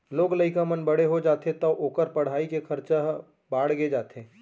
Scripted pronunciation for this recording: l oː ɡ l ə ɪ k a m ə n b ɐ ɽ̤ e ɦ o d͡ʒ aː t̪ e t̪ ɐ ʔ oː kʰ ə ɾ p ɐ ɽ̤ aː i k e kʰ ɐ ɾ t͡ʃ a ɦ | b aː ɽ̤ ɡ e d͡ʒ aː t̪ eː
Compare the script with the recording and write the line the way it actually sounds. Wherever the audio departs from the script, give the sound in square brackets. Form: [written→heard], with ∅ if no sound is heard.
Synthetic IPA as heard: l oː ɡ l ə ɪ k a m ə n b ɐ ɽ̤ e ɦ o d͡ʒ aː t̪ e t̪ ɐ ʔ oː [kʰ→k] ə ɾ p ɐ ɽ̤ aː i k e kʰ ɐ ɾ t͡ʃ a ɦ | b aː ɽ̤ ɡ e d͡ʒ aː t̪ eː